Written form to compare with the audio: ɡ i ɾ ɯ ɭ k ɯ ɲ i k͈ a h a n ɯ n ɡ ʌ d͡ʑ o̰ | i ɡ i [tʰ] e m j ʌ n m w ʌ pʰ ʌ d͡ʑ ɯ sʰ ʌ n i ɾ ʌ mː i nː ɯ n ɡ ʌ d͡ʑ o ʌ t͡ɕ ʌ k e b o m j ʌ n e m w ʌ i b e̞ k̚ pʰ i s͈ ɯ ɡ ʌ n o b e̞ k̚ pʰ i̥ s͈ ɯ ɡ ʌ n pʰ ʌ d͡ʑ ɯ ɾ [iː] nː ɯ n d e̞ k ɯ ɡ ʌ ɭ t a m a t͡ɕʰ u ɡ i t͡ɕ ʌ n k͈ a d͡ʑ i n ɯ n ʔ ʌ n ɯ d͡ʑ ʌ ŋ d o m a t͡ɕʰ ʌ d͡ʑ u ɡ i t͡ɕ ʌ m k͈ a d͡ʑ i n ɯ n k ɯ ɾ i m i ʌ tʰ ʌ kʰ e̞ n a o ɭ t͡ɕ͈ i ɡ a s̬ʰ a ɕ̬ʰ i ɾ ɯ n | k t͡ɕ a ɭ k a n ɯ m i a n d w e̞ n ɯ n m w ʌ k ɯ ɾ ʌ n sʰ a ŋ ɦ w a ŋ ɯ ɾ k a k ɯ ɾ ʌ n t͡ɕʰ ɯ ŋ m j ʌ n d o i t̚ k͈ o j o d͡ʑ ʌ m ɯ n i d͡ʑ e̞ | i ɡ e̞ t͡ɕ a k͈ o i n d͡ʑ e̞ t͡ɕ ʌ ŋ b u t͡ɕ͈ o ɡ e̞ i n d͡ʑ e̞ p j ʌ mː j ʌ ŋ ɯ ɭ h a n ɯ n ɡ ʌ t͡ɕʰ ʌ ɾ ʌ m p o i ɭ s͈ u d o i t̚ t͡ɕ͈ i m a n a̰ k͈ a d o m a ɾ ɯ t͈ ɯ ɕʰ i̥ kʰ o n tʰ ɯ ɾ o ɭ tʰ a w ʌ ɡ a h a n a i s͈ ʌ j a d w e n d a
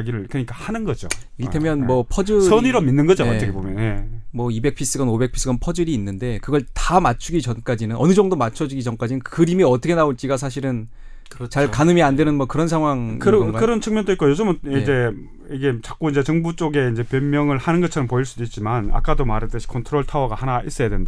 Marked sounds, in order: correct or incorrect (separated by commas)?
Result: correct, correct